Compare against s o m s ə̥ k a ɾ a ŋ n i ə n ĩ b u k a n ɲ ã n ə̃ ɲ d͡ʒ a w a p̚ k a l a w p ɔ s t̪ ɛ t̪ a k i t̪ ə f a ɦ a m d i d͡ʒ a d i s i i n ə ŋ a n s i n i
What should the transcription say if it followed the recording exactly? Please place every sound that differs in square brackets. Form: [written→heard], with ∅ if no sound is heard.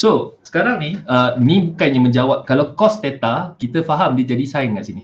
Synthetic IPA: s o [m→∅] s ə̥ k a ɾ a ŋ n i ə n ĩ b u k a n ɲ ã [n→m] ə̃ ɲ d͡ʒ a w a p̚ k a l a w [p→k] ɔ s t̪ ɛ t̪ a k i t̪ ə f a ɦ a m d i d͡ʒ a d i s [i→a] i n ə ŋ a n s i n i